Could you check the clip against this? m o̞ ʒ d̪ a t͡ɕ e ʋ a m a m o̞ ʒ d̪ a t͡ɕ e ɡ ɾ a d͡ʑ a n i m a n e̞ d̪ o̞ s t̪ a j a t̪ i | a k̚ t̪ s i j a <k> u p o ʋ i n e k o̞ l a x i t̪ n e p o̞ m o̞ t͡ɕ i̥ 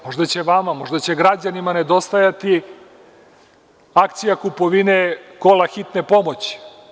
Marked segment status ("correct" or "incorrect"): correct